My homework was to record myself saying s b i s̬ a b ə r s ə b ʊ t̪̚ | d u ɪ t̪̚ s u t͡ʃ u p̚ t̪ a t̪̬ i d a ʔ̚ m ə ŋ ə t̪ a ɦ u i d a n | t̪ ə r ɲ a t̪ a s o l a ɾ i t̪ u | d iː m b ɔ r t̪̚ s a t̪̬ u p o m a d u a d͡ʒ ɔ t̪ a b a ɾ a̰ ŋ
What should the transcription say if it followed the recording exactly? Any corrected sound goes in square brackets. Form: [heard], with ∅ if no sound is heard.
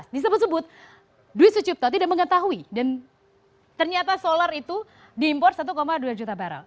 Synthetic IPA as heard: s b i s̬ a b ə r s ə b ʊ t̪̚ | d u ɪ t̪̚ s u t͡ʃ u p̚ t̪ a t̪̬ i d a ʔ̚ m ə ŋ ə t̪ a ɦ u i d a n | t̪ ə r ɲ a t̪ a s o l a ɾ i t̪ u | d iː m [p] ɔ r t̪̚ s a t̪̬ u [k] o m a d u a d͡ʒ [u] t̪ a b a ɾ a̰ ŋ